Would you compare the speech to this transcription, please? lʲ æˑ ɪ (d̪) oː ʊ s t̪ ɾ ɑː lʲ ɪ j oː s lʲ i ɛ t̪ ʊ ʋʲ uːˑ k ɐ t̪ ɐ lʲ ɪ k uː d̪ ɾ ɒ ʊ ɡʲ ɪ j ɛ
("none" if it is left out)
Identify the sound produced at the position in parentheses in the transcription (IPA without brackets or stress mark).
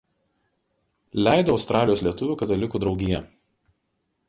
d̪